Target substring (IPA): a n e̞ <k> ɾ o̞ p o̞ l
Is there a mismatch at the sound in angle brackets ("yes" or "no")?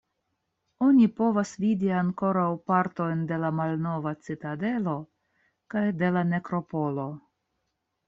no